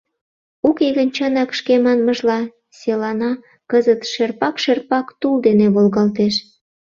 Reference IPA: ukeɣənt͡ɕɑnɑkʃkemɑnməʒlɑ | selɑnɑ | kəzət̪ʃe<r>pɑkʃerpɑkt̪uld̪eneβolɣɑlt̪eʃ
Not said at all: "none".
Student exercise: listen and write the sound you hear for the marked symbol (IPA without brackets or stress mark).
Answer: r